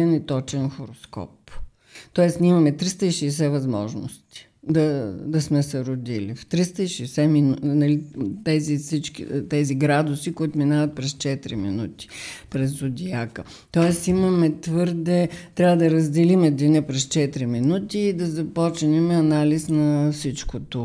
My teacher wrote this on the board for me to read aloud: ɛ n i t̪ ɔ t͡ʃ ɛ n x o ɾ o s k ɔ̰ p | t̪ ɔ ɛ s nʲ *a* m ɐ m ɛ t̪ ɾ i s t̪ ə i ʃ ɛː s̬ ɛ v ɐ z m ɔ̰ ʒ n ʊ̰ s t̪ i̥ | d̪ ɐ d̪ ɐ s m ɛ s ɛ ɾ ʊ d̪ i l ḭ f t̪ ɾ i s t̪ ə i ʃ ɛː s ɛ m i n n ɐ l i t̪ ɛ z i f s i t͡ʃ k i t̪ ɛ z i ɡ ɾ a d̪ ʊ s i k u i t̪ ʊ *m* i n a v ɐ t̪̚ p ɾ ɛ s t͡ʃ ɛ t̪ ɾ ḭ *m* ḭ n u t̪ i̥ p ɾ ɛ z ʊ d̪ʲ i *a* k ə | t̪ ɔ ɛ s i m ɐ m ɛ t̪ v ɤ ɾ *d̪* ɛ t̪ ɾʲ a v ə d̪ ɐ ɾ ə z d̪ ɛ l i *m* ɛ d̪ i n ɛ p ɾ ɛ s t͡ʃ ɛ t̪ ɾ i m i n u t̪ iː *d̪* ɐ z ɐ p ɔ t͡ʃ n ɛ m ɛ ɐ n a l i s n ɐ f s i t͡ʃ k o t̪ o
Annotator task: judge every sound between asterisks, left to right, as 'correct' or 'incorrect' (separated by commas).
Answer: incorrect, correct, correct, correct, correct, correct, correct